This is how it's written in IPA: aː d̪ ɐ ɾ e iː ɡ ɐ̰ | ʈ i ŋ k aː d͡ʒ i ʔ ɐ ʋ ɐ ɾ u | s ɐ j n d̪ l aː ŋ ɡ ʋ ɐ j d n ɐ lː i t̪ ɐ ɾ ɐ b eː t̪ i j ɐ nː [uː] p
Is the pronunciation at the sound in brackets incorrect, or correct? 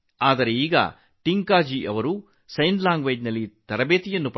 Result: incorrect